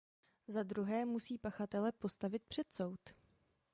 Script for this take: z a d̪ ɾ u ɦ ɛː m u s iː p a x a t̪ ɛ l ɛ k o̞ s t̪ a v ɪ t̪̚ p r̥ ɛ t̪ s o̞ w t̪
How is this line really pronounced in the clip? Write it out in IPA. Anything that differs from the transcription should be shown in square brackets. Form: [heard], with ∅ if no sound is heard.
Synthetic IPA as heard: z a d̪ ɾ u ɦ ɛː m u s iː p a x a t̪ ɛ l ɛ [p] o̞ s t̪ a v ɪ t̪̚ p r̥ ɛ t̪ s o̞ w t̪